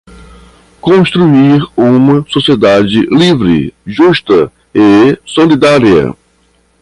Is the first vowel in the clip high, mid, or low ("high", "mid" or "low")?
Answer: mid